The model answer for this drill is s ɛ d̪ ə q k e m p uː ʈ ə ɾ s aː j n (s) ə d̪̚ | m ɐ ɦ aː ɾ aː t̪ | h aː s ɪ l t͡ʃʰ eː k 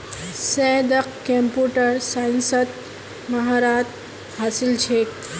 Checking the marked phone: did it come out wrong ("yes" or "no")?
no